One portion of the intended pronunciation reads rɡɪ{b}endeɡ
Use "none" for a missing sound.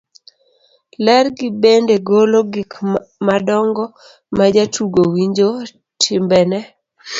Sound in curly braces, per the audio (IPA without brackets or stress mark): b